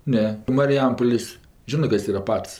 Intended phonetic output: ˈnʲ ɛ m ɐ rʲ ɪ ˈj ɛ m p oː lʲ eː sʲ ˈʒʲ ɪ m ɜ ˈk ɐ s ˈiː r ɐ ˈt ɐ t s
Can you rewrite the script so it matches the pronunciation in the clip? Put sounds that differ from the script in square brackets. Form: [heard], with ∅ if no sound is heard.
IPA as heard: ˈnʲ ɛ m ɐ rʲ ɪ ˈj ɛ m p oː lʲ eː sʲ ˈʒʲ ɪ [n] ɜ ˈk ɐ s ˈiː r ɐ [ˈp] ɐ t s

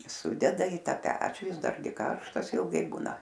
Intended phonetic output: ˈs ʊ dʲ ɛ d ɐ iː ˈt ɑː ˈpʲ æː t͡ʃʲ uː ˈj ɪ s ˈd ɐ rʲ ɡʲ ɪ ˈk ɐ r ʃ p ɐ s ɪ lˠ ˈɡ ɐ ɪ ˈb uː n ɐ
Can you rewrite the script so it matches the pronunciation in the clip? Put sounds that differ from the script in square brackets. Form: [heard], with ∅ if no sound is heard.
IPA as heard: ˈs ʊ dʲ ɛ d ɐ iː ˈt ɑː ˈpʲ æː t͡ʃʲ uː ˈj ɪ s ˈd ɐ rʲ ɡʲ ɪ ˈk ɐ r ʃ [t] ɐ s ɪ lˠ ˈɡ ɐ ɪ ˈb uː n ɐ

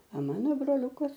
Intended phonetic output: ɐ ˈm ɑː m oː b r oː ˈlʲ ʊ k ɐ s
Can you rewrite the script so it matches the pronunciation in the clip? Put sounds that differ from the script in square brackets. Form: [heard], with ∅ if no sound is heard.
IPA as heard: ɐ ˈm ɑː [n] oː b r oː ˈlʲ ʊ k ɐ s

